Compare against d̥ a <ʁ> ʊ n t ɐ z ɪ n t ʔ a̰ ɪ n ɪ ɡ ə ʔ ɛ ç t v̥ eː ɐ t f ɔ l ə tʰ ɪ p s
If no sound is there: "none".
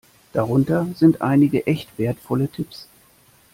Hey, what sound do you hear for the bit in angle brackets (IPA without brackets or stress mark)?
ʁ